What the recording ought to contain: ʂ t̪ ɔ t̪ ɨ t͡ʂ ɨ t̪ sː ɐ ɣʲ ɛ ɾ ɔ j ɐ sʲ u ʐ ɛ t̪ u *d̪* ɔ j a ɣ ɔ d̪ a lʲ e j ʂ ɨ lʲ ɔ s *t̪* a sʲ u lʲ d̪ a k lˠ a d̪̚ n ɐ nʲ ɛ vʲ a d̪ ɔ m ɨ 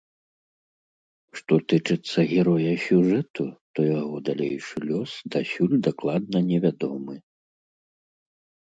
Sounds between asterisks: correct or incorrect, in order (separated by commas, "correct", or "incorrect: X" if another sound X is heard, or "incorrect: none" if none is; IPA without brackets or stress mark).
incorrect: t̪, incorrect: d̪